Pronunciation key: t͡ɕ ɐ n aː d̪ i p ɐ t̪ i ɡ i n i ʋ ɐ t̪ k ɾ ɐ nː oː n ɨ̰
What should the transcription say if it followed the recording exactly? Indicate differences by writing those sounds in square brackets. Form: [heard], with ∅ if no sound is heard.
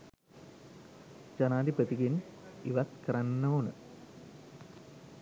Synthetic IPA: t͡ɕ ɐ n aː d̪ i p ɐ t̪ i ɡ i n i ʋ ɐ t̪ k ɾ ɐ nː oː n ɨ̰